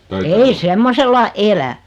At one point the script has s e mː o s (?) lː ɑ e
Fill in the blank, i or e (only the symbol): e